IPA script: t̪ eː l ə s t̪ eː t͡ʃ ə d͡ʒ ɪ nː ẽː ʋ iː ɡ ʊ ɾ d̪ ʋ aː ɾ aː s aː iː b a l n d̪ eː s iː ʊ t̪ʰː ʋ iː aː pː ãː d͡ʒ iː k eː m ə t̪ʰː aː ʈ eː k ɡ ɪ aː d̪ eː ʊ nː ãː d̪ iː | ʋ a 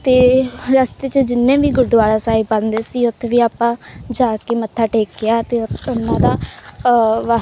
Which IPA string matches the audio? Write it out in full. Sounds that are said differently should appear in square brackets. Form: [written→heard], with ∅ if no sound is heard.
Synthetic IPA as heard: t̪ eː [l→ɾ] ə s t̪ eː t͡ʃ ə d͡ʒ ɪ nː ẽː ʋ iː ɡ ʊ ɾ d̪ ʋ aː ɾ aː s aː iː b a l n d̪ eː s iː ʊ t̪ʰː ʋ iː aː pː ãː d͡ʒ [iː→aː] k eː m ə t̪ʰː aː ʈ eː k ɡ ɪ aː [d̪→t̪] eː ʊ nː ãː d̪ [iː→aː] | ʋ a